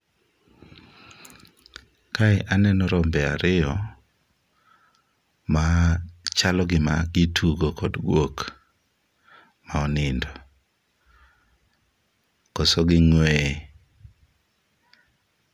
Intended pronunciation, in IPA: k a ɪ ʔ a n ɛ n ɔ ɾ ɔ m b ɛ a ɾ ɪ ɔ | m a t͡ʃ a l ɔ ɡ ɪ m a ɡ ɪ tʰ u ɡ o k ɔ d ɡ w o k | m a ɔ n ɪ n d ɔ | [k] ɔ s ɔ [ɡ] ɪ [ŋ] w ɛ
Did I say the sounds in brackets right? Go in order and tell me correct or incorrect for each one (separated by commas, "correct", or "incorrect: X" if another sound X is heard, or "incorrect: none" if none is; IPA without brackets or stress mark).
correct, correct, correct